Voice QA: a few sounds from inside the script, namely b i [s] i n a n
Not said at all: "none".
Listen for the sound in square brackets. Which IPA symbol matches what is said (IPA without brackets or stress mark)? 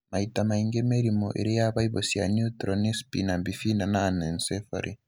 f